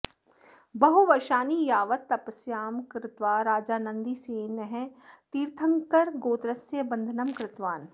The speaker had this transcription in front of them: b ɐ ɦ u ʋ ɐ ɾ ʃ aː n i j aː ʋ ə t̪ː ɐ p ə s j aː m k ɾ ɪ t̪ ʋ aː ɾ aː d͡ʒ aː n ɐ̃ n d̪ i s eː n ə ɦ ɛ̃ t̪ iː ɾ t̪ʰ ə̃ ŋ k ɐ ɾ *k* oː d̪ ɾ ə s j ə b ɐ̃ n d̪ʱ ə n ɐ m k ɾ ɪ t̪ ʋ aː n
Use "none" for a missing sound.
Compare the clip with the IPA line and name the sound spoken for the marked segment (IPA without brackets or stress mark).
ɡ